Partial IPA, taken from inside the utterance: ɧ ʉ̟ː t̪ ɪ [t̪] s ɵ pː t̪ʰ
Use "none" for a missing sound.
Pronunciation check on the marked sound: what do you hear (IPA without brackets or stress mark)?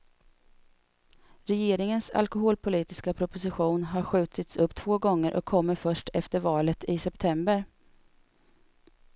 t̪